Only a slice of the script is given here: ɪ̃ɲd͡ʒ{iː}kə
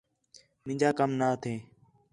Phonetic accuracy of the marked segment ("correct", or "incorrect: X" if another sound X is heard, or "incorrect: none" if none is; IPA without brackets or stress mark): incorrect: aː